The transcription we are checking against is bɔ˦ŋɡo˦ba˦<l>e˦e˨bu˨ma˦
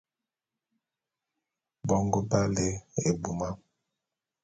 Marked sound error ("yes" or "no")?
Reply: no